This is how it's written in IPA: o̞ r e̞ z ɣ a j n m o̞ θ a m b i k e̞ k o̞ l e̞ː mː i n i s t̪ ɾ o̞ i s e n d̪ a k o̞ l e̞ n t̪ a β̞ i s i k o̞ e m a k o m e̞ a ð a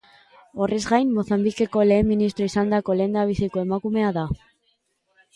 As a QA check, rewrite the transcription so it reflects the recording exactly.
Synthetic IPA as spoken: o̞ r e̞ z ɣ a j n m o̞ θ a m b i k e̞ k o̞ l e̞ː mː i n i s t̪ ɾ o̞ i s a n d̪ a k o̞ l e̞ n d̪ a β̞ i s i k o̞ e m a k u m e̞ a ð a